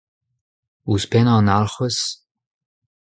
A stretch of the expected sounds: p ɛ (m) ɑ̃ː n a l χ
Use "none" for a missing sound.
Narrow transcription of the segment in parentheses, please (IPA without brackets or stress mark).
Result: n